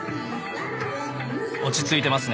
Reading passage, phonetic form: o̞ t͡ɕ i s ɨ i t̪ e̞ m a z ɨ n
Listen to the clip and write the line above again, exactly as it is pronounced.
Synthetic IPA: o̞ t͡ɕ i t͡s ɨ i t̪ e̞ m a s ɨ n